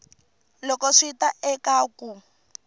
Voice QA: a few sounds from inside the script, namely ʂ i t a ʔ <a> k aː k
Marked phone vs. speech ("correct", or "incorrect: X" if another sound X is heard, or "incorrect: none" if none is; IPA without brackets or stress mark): incorrect: ɛ